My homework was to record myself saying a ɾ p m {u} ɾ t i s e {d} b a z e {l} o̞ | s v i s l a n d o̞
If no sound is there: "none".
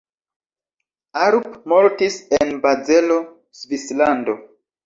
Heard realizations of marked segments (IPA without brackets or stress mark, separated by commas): o, n, l